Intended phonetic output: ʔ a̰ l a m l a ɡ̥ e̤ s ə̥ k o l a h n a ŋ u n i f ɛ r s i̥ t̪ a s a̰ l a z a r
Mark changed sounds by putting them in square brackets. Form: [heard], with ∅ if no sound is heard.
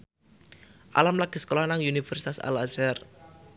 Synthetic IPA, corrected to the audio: ʔ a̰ l a m l a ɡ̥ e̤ s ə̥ k o l a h n a ŋ u n i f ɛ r s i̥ t̪ a s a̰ l a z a r